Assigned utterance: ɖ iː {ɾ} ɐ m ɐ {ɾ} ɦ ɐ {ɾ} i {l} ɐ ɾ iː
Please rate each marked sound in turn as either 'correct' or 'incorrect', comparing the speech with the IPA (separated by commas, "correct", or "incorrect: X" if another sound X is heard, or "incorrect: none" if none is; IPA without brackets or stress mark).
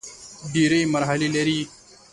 correct, correct, incorrect: l, correct